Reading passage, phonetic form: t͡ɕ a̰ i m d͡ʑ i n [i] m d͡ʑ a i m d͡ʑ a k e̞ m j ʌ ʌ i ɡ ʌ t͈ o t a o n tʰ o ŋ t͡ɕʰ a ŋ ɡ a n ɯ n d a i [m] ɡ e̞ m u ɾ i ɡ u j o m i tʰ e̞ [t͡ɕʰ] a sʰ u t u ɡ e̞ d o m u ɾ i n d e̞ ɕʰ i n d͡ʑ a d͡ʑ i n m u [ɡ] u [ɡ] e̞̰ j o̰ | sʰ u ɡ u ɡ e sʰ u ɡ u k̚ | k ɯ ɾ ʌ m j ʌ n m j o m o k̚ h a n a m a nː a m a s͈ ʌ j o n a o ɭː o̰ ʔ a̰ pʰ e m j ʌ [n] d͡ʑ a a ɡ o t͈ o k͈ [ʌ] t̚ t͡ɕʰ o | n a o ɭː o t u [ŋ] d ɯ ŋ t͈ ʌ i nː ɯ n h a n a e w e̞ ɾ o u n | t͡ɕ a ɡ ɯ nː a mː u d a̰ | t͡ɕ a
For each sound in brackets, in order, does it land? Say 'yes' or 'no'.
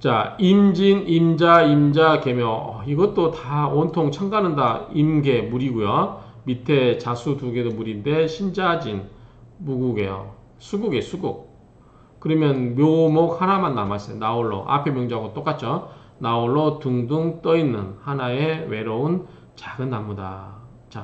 yes, yes, no, yes, yes, no, no, yes

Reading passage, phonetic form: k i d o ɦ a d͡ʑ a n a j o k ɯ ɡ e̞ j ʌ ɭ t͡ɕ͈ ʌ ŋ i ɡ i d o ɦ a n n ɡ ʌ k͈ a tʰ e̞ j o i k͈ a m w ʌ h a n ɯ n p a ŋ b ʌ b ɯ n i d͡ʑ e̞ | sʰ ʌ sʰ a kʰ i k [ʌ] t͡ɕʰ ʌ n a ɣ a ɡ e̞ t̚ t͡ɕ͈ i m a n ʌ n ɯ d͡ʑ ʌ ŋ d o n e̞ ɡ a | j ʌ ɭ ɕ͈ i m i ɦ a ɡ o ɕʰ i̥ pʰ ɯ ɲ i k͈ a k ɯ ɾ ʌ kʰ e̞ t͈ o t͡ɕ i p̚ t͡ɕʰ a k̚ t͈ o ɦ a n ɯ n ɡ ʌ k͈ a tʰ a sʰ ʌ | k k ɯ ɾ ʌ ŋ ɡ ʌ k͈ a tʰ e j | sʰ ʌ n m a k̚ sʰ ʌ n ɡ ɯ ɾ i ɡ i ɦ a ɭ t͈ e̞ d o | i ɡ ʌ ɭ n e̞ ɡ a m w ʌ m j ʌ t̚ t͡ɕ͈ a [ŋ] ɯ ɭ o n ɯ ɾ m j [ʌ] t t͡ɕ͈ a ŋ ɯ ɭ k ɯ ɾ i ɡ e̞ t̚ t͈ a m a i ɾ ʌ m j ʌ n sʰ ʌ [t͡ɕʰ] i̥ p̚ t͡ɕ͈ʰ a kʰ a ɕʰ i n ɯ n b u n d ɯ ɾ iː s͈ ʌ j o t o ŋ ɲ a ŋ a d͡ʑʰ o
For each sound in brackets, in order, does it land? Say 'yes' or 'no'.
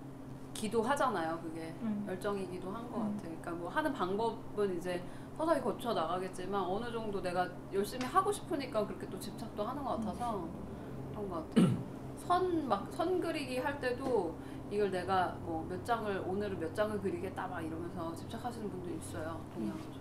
yes, yes, yes, no

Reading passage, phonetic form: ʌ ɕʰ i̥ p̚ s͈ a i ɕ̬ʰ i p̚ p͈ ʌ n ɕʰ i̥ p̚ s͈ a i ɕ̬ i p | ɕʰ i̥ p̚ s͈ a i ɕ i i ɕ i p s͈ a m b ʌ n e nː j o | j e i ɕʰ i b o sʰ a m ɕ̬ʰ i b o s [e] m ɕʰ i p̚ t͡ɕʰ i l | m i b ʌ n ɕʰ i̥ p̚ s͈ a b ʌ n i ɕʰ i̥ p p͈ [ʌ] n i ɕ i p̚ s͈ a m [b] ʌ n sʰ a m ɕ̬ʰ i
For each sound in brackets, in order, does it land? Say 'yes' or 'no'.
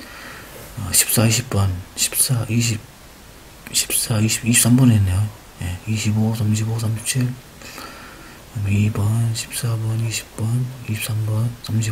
no, yes, yes

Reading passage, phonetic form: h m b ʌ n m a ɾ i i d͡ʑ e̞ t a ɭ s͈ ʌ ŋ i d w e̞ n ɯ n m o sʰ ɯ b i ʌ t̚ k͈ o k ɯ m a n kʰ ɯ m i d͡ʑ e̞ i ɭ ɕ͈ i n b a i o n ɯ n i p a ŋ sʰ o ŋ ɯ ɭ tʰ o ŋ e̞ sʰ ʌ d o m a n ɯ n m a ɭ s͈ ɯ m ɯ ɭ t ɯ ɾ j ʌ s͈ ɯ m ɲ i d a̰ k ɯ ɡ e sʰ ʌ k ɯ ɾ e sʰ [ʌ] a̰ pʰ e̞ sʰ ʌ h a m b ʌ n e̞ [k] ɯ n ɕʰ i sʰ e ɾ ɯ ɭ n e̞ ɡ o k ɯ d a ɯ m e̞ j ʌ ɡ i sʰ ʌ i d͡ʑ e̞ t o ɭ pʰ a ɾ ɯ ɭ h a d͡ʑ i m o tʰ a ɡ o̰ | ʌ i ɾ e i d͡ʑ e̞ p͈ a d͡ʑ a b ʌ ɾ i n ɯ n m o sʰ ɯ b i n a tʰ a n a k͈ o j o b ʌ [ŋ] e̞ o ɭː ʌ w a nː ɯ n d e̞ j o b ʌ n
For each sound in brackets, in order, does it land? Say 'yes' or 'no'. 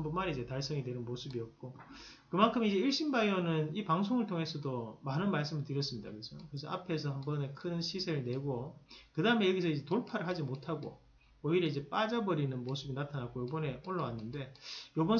yes, no, no

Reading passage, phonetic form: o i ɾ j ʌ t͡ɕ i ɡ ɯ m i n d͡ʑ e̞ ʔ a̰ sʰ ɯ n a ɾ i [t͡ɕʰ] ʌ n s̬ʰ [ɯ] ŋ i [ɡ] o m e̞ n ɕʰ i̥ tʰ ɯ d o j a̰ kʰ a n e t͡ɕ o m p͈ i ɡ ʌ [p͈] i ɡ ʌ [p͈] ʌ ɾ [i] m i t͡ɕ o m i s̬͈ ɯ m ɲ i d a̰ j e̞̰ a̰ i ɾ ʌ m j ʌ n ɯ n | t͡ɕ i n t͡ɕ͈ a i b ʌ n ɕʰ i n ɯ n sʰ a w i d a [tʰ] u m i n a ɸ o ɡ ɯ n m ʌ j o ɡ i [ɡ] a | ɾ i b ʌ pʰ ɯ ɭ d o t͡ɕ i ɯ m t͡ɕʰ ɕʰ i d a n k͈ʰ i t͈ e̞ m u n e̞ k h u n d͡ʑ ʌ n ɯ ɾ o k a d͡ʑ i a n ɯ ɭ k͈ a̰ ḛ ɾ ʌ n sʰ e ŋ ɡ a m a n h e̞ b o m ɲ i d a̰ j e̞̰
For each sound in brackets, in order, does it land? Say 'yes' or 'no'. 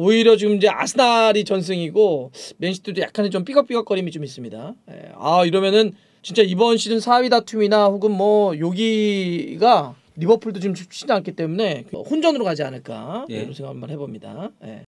no, yes, yes, yes, no, yes, yes, yes

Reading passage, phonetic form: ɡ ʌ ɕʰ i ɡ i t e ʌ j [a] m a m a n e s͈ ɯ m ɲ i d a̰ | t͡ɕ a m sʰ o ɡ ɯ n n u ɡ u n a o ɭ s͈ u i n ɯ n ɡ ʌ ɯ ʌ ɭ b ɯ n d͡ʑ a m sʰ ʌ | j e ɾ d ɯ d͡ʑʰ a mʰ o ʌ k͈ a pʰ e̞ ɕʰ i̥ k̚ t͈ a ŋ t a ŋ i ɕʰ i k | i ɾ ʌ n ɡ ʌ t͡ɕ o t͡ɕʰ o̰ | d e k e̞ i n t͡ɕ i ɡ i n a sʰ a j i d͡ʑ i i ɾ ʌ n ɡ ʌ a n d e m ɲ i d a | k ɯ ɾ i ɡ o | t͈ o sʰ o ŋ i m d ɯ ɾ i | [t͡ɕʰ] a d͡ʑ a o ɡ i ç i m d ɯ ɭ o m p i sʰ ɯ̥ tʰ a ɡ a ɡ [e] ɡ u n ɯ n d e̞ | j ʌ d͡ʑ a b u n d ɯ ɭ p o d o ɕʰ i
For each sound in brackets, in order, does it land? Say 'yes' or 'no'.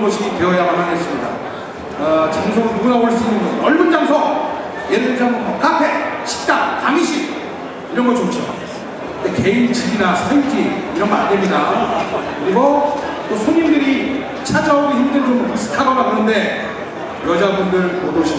yes, yes, no

